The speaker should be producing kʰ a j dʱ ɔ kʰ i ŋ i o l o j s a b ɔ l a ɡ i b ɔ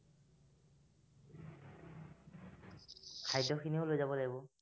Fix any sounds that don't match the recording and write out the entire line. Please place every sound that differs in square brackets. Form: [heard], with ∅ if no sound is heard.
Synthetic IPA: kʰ a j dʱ ɔ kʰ i [n] i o l o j [z] a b ɔ l a ɡ i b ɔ